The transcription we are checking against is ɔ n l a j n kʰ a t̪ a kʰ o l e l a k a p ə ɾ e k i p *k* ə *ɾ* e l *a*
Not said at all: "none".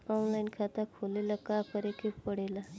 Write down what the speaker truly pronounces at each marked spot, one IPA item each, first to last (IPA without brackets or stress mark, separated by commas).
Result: p, ɽ, a